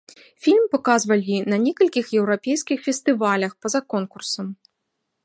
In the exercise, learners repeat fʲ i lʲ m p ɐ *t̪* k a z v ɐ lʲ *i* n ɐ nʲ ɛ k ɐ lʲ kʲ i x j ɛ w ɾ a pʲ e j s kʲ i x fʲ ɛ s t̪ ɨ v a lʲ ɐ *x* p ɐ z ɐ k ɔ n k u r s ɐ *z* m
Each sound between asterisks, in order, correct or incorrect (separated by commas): incorrect, correct, correct, incorrect